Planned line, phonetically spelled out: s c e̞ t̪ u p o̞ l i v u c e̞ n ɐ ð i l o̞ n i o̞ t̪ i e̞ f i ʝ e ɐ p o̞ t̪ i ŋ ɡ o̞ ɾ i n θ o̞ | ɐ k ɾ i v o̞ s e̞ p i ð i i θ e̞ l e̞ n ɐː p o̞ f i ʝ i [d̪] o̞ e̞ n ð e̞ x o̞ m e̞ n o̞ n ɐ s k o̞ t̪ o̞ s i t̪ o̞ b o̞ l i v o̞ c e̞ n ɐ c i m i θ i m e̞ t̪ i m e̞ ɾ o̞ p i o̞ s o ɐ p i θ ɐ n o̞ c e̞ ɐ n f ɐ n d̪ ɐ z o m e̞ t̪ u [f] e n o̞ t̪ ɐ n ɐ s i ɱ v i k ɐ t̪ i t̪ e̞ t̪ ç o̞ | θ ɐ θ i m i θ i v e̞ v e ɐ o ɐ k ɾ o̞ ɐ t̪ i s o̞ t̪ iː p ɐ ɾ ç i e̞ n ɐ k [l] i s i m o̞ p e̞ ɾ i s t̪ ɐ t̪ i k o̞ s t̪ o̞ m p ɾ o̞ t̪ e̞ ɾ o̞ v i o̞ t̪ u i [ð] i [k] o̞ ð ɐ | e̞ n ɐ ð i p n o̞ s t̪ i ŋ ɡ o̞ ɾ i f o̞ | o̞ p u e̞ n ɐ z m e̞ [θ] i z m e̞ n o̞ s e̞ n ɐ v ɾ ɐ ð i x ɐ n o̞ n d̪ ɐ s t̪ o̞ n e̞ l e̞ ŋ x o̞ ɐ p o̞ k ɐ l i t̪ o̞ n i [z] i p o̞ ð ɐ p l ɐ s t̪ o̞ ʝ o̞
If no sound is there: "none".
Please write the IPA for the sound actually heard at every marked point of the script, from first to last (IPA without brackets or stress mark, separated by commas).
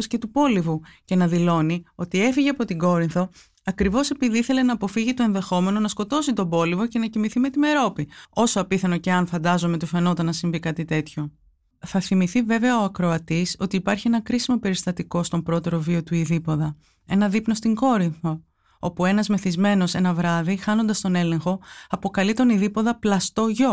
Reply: t̪, f, ɾ, ð, p, θ, ð